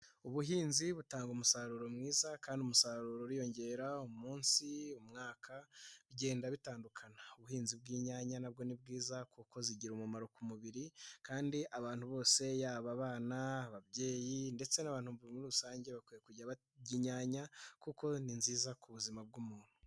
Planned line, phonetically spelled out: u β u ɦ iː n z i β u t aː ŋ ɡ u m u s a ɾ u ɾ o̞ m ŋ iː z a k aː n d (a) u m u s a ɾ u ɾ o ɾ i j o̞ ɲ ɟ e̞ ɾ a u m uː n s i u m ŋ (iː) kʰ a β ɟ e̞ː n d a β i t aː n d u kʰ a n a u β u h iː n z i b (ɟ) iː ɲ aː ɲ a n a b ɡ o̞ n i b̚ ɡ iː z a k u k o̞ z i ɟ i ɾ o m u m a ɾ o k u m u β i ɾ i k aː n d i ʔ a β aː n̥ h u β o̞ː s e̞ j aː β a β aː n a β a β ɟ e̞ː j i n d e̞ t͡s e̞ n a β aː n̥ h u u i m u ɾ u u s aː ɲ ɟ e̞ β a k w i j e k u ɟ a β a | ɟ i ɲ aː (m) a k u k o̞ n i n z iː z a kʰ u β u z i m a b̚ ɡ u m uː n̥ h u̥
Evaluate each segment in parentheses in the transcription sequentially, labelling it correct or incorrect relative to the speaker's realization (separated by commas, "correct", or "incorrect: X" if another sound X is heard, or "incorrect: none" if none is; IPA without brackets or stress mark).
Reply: incorrect: i, incorrect: aː, incorrect: ɡ, incorrect: ɲ